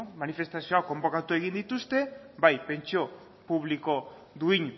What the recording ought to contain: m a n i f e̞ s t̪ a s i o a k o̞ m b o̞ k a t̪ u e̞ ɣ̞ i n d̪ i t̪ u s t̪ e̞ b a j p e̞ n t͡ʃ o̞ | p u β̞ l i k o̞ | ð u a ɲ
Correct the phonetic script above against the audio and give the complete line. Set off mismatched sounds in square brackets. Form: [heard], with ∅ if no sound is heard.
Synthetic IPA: m a n i f e̞ s t̪ a s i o a k o̞ m b o̞ k a t̪ u e̞ ɣ̞ i n d̪ i t̪ u s t̪ e̞ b a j p e̞ n t͡ʃ o̞ | p u β̞ l i k o̞ | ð u [i] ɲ